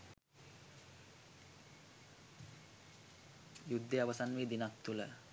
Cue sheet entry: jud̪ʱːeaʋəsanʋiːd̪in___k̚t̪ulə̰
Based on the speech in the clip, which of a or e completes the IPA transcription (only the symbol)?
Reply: a